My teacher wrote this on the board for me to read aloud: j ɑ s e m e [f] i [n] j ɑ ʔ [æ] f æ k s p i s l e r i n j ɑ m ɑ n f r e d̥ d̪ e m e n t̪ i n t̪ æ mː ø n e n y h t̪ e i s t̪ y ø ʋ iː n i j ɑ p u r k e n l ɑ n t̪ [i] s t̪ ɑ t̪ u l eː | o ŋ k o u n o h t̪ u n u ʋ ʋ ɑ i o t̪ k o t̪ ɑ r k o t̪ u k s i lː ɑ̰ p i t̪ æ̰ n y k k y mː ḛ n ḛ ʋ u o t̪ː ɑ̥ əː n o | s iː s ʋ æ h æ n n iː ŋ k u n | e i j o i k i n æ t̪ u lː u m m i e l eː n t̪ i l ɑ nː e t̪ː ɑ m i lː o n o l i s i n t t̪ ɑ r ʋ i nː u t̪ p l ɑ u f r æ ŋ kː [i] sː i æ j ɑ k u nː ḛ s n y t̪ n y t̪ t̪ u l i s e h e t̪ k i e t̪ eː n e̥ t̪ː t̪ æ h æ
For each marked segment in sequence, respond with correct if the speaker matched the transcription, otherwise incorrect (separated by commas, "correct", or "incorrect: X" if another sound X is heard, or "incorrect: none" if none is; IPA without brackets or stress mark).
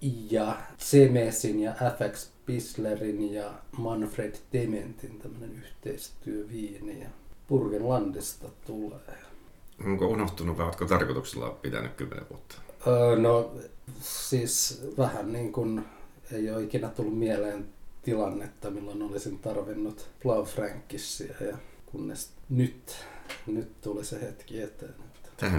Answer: incorrect: s, correct, correct, correct, correct